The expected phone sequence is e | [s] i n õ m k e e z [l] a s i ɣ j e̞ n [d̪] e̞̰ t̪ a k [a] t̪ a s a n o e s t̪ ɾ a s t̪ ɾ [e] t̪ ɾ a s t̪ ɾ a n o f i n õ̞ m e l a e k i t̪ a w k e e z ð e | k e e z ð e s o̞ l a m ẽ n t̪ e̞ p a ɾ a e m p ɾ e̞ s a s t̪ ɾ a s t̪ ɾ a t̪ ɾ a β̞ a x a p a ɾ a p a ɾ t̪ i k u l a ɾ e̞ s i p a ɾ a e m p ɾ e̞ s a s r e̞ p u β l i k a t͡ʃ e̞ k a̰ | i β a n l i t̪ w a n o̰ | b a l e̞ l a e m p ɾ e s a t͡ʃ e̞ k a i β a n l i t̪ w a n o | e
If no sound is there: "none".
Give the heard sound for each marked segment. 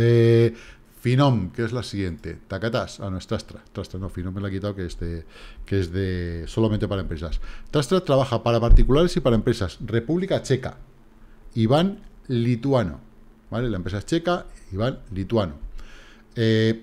f, l, t̪, a, a

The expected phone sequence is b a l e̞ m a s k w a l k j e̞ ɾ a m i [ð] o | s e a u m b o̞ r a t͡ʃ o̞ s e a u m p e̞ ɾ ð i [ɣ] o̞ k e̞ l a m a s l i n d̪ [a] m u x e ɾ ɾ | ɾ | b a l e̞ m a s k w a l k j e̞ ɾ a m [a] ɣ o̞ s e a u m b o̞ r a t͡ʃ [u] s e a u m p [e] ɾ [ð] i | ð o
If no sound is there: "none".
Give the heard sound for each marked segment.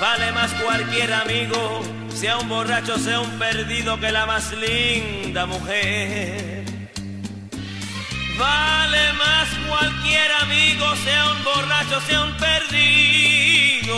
ɣ, ð, a, i, o, e, ð

